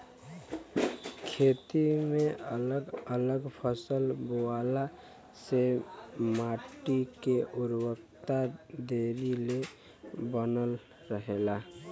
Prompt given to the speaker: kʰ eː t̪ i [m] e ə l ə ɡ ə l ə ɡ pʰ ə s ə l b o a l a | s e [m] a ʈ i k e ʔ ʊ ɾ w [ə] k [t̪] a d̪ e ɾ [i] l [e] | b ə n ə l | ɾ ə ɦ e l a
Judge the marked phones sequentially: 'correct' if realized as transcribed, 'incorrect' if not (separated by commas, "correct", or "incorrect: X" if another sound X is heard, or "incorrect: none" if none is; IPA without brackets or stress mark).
correct, correct, correct, correct, correct, correct